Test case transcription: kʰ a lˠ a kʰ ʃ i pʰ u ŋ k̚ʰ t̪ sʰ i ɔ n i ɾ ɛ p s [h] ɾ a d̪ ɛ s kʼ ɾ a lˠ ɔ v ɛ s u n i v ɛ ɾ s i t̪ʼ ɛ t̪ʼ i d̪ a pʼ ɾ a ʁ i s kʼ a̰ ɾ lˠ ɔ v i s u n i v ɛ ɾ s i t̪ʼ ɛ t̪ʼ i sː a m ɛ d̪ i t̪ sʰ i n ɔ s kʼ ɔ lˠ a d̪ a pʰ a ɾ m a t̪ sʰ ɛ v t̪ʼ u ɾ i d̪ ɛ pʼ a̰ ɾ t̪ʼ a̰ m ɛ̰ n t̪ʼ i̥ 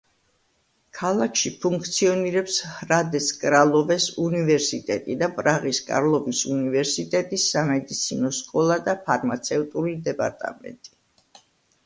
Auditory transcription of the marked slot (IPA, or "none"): h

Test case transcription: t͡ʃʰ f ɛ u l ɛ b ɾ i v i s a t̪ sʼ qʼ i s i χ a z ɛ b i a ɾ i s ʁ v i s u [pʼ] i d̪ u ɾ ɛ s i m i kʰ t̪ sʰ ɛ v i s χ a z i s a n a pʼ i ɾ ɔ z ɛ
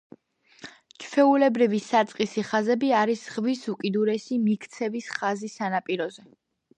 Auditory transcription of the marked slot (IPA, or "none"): kʼ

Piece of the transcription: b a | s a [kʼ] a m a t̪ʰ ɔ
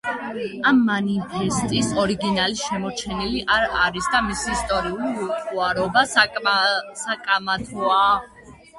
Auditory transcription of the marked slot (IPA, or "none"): kʼ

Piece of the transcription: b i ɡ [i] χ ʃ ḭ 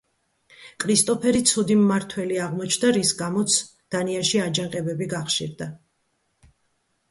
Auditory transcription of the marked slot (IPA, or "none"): a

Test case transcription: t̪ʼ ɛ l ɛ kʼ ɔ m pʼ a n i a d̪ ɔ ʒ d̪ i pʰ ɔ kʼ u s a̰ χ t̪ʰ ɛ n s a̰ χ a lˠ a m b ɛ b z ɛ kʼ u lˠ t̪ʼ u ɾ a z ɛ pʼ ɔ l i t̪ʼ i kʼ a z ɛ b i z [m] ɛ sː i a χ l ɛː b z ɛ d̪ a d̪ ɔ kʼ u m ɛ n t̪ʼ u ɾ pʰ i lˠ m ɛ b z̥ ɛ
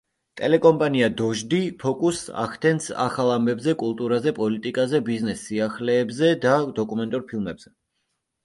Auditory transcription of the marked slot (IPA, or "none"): n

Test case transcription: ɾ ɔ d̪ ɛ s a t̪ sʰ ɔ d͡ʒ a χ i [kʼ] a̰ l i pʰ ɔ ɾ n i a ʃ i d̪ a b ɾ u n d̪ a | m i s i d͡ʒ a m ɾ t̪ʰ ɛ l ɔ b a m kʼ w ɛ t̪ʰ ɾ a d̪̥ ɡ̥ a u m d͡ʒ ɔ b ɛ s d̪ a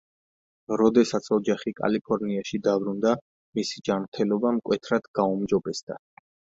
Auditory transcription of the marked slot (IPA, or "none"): kʼ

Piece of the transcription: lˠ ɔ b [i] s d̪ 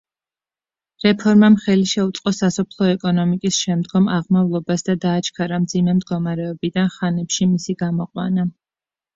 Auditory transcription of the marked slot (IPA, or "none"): a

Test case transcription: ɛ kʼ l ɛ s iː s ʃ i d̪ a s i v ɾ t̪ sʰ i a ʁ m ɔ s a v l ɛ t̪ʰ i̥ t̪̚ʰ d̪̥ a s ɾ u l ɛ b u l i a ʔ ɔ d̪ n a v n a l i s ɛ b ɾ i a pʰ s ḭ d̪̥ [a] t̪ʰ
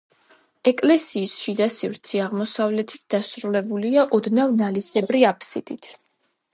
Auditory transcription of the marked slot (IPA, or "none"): i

